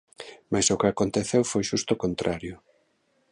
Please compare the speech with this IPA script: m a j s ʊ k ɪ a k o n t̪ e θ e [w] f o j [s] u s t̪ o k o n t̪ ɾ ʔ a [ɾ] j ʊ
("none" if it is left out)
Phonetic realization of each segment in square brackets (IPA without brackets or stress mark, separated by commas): w, ʃ, ɾ